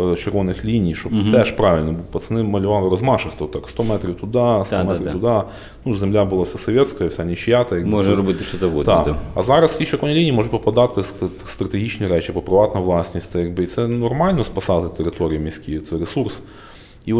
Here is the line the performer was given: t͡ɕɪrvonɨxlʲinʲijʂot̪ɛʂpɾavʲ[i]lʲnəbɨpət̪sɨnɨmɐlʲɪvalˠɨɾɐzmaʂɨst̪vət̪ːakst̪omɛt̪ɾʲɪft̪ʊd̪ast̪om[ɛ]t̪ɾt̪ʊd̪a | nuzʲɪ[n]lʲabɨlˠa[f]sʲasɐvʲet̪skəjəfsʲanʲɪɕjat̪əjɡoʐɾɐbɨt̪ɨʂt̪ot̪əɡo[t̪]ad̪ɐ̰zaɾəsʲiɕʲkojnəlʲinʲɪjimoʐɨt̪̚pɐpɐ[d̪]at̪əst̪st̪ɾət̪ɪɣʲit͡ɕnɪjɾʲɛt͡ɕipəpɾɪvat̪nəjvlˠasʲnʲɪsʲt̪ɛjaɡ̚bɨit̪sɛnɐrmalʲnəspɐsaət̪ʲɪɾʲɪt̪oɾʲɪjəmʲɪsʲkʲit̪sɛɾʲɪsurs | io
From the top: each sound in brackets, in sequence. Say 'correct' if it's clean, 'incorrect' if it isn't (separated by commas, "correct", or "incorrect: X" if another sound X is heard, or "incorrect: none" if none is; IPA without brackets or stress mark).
incorrect: ɪ, correct, incorrect: m, correct, incorrect: d̪, correct